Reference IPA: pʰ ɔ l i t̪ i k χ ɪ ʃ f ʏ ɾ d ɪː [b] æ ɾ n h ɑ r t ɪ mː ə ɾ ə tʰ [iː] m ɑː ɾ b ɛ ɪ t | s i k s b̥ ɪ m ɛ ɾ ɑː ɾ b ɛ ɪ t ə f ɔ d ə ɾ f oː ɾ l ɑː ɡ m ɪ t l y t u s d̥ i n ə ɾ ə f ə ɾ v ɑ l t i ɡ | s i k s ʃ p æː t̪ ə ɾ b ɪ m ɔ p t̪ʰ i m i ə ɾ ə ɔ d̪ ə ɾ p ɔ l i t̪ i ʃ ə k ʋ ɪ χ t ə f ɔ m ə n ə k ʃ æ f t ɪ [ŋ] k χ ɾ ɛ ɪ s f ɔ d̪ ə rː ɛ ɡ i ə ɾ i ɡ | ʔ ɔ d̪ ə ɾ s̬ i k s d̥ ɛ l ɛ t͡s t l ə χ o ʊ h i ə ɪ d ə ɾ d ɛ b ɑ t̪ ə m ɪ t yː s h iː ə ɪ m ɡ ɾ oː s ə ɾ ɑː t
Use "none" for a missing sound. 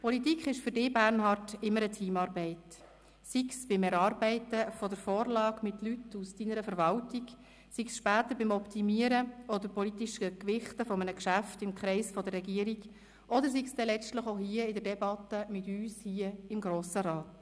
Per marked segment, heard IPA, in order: b, iː, m

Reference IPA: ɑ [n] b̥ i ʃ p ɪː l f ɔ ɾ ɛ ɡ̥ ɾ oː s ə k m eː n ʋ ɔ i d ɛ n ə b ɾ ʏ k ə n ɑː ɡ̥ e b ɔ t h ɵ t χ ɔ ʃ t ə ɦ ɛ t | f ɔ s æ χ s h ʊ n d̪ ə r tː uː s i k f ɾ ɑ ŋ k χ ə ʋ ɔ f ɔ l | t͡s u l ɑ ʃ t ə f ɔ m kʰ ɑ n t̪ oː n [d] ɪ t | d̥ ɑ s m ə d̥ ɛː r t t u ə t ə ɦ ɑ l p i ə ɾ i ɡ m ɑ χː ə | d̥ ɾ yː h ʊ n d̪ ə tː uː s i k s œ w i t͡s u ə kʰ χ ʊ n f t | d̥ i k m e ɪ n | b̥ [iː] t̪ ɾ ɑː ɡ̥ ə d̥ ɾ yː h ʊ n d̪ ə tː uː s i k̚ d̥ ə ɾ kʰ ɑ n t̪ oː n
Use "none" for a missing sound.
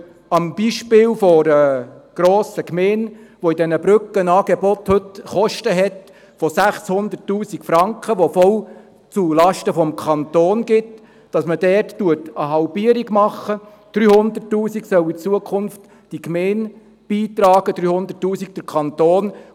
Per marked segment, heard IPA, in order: m, ɡ, iː

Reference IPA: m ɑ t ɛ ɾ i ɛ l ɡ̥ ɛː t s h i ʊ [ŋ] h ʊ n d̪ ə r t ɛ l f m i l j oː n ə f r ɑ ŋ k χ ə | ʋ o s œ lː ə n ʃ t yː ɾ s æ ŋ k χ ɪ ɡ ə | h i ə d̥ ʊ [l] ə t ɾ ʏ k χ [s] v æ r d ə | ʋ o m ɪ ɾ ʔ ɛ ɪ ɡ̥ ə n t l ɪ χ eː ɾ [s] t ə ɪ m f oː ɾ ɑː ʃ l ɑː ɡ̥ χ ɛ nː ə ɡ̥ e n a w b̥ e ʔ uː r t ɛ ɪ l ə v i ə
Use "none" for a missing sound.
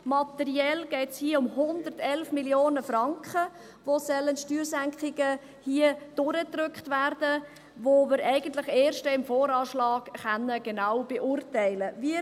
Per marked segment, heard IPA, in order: m, ɾ, t, ʃ

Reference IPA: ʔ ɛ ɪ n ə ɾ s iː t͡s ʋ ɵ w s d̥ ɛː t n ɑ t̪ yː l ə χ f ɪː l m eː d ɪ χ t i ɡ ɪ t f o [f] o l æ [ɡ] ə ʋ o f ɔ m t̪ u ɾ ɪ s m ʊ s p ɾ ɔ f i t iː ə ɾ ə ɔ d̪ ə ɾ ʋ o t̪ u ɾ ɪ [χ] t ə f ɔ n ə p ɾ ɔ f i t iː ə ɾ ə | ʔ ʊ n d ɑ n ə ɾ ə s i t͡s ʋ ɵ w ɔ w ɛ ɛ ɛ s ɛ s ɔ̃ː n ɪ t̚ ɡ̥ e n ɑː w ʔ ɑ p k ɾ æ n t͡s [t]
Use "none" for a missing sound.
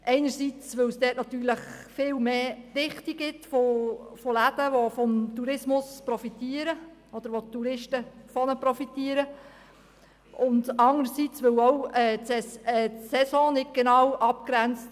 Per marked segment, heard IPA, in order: f, d, ʃ, t

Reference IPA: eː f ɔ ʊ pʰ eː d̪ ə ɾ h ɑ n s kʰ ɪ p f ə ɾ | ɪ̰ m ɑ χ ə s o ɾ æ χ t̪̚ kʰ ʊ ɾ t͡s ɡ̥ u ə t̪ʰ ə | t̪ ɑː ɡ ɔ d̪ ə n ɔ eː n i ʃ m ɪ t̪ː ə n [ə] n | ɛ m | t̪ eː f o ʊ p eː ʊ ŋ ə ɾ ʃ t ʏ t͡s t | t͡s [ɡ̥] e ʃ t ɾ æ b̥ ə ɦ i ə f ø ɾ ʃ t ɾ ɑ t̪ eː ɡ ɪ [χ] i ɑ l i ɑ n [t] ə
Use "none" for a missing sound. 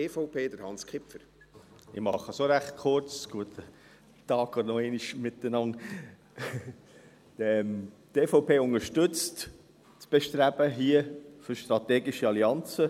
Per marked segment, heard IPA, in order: ɑ, b̥, ʃ, t͡s

